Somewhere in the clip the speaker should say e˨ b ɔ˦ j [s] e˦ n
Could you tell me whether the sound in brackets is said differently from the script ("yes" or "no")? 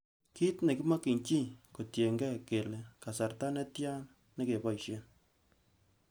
yes